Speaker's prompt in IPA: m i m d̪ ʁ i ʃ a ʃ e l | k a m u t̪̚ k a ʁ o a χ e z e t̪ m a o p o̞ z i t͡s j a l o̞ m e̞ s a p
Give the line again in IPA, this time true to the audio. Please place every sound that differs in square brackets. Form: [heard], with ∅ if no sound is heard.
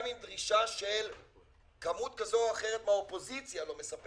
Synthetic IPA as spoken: m i m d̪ ʁ i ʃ a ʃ e l | k a m u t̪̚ k a [z] o a χ e [ʁ] e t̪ m a o p o̞ z i t͡s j a l o̞ m e̞ s a p